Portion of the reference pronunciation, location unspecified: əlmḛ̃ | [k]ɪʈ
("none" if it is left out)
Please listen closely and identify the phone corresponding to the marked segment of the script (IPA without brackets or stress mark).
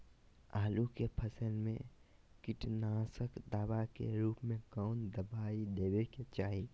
k